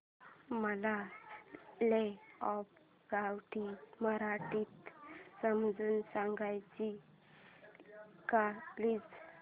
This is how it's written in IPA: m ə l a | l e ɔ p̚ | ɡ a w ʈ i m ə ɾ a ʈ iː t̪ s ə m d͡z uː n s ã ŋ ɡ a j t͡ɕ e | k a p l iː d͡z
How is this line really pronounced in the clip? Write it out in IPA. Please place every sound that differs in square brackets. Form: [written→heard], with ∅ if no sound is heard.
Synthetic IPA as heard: m ə l a | l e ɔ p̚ | ɡ a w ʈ i m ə ɾ a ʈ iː t̪ s ə m d͡z uː n s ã ŋ ɡ a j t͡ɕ [e→i] | k a p l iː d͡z